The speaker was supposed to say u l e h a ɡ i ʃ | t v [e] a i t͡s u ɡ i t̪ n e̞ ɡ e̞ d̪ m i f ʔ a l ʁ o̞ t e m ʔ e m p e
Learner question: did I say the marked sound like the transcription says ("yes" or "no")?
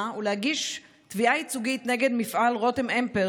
no